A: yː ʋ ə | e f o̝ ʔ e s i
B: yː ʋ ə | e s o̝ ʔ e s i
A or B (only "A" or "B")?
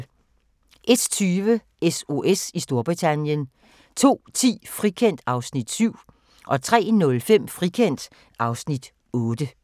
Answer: B